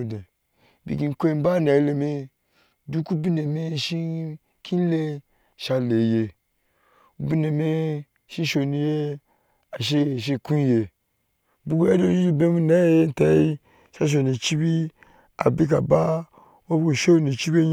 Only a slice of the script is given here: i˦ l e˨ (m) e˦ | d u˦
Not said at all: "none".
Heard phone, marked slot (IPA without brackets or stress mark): m